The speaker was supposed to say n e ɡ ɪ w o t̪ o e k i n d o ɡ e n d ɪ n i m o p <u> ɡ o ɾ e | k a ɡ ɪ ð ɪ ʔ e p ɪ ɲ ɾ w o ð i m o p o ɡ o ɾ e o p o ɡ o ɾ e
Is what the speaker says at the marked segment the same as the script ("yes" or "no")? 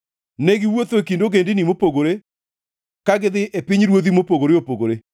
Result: no